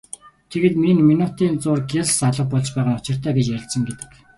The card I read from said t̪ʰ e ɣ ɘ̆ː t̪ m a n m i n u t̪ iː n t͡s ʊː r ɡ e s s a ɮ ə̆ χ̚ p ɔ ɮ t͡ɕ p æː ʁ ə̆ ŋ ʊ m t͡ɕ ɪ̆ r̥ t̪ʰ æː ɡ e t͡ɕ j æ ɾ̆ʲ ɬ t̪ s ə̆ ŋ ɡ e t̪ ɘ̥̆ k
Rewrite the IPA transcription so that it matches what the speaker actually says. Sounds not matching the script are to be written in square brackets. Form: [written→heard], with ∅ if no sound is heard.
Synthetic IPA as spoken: t̪ʰ e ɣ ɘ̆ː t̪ m [a→i] n m i n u t̪ iː n t͡s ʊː r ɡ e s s a ɮ ə̆ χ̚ p ɔ ɮ t͡ɕ p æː ʁ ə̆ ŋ ʊ [m→∅] t͡ɕ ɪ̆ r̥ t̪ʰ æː ɡ e t͡ɕ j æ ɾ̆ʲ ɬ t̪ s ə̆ ŋ ɡ e t̪ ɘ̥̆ k